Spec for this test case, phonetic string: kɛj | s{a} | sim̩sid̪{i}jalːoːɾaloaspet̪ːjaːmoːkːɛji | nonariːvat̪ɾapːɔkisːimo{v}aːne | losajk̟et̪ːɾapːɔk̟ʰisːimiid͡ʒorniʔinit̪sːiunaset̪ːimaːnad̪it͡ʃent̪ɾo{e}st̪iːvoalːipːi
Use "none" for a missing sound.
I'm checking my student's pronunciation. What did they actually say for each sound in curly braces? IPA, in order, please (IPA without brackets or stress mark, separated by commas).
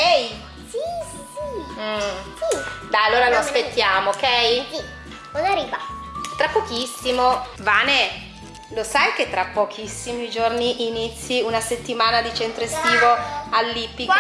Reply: i, a, v, e